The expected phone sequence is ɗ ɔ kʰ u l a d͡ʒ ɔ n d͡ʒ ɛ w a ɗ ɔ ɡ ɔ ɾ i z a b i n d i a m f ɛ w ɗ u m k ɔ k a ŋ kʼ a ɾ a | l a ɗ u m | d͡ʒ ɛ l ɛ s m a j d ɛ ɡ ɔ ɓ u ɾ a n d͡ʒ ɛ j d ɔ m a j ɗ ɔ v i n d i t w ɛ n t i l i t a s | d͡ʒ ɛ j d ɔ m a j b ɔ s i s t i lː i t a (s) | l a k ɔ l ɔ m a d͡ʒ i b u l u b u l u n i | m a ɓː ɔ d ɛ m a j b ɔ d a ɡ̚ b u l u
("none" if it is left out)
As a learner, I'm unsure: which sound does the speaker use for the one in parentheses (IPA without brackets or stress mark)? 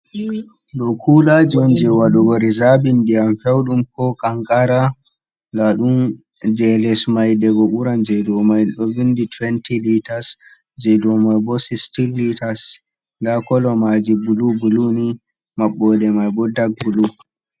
s